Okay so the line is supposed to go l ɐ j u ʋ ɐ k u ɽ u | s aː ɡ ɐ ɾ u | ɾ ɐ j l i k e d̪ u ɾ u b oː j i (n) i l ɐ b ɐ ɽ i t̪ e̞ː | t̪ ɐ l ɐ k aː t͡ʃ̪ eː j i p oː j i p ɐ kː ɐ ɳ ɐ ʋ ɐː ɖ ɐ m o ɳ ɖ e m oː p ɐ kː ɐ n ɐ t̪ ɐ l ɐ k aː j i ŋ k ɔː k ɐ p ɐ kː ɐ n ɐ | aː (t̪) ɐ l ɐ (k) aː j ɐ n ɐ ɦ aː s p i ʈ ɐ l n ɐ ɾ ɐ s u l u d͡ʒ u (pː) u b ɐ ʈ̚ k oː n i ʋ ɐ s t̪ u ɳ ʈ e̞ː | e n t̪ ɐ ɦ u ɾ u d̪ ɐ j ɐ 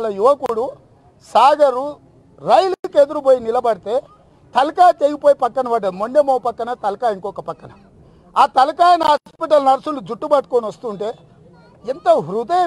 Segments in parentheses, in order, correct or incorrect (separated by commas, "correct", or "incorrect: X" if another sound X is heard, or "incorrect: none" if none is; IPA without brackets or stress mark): correct, correct, correct, incorrect: ʈː